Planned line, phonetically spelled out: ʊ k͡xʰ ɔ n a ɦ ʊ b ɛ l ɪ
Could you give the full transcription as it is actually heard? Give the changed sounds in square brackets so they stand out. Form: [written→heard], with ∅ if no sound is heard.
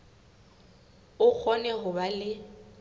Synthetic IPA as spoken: ʊ k͡xʰ ɔ n [a→ɛ] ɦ ʊ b [ɛ→a] l ɪ